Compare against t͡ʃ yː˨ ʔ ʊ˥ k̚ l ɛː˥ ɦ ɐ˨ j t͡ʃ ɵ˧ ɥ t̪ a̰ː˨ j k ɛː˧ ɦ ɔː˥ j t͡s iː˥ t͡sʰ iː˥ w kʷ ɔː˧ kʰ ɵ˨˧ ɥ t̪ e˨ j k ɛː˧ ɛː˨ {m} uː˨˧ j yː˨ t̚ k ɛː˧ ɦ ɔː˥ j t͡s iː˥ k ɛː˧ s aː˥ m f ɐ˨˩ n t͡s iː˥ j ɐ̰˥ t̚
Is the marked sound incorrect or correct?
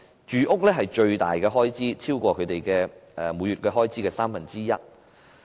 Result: correct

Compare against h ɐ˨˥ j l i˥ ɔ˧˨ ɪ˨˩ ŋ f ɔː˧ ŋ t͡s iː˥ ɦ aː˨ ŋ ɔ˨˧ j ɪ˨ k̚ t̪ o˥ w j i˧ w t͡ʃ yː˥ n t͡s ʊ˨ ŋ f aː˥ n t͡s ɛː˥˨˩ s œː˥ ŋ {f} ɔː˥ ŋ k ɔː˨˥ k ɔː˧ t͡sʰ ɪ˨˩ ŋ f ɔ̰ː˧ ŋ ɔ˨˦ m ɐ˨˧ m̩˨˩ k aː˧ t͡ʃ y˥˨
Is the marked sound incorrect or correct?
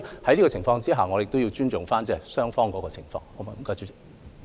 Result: correct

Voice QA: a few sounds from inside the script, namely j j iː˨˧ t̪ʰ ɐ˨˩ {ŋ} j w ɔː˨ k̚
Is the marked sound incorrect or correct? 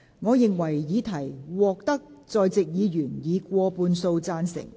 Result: incorrect: none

